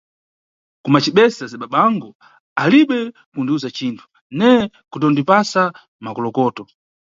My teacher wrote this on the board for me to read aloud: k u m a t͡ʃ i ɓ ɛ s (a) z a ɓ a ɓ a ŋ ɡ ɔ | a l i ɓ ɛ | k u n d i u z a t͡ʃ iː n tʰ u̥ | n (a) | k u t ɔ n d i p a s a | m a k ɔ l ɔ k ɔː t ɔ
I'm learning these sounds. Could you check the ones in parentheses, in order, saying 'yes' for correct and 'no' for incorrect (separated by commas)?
yes, no